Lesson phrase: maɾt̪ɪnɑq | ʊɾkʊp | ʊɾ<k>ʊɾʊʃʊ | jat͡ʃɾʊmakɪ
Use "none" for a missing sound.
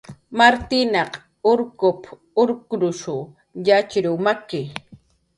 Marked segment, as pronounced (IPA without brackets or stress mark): k